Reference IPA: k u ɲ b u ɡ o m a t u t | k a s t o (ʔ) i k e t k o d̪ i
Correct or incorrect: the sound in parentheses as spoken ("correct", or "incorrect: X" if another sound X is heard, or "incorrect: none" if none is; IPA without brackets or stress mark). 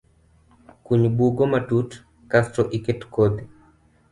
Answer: correct